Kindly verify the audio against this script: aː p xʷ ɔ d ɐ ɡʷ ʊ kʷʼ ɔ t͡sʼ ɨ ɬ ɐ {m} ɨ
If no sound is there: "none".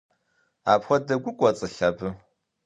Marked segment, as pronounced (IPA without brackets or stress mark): b